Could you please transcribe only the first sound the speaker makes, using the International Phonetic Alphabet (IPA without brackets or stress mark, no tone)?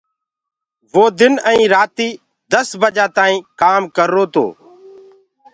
ʋ